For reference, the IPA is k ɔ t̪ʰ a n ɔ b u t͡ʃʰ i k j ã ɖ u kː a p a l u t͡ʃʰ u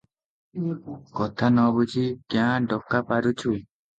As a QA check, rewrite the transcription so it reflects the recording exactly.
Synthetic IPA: k ɔ t̪ʰ a n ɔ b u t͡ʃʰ i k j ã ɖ ɔ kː a p a ɾ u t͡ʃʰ u